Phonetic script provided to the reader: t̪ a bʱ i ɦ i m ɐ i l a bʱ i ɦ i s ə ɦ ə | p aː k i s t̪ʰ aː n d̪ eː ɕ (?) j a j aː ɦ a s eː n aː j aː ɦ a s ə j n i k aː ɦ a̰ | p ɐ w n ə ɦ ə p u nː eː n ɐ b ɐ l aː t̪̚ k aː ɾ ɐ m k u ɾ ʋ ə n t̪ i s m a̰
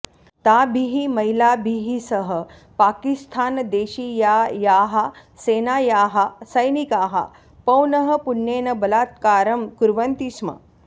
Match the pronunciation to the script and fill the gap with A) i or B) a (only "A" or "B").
A